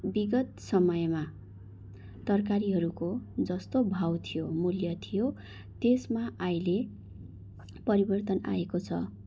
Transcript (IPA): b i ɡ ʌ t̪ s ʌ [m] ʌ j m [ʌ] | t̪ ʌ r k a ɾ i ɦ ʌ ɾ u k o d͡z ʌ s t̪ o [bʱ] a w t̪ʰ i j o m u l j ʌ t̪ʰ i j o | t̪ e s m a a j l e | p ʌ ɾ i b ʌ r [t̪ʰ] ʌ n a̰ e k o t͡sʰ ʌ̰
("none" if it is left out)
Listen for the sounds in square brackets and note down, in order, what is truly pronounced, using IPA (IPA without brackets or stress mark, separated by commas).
m, a, bʱ, t̪